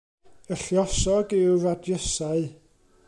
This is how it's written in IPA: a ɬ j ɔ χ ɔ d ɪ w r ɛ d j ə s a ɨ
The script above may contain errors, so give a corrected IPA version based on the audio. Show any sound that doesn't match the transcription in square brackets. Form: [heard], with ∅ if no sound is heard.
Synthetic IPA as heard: [ə] ɬ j ɔ [s] ɔ [ɡ] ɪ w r [a] d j ə s a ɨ